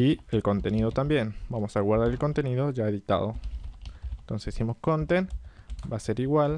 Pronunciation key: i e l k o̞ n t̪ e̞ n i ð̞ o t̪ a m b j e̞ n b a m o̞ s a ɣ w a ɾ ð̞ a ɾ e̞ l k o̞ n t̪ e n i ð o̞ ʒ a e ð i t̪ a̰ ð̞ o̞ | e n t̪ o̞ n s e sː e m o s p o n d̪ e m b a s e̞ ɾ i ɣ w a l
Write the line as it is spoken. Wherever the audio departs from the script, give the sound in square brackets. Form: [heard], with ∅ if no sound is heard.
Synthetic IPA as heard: i e l k o̞ n t̪ e̞ n i ð̞ o t̪ a m b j e̞ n b a m o̞ s a ɣ w a ɾ ð̞ a ɾ e̞ l k o̞ n t̪ e n i ð o̞ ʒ a e ð i t̪ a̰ ð̞ o̞ | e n t̪ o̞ n s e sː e m o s [k] o n [t̪] e [n] b a s e̞ ɾ i ɣ w a l